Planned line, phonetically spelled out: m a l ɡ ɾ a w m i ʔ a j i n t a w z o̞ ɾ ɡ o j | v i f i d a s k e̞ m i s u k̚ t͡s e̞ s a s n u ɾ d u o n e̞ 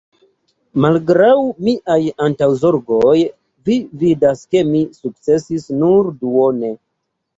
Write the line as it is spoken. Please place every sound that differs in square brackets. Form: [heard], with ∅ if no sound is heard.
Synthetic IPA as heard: m a l ɡ ɾ a w m i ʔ a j [a] n t a w z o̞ ɾ ɡ o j | v i [v] i d a s k e̞ m i s u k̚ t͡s e̞ s [i] s n u ɾ d u o n e̞